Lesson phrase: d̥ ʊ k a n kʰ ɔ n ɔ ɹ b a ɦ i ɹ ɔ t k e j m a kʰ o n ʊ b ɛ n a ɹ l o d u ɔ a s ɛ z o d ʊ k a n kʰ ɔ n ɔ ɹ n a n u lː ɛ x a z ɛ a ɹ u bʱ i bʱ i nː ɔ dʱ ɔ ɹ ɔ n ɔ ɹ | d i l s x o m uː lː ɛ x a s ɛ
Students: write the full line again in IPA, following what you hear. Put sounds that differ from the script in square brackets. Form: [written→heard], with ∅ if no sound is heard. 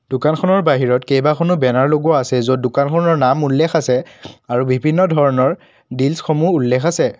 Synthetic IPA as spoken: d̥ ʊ k a n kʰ ɔ n ɔ ɹ b a ɦ i ɹ ɔ t k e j [m→b] a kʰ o n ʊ b ɛ n a ɹ l o [d→ɡ] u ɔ a s ɛ z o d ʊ k a n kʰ ɔ n ɔ ɹ n a [n→m] u lː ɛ x a [z→s] ɛ a ɹ u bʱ i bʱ i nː ɔ dʱ ɔ ɹ ɔ n ɔ ɹ | d i l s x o m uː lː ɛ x a s ɛ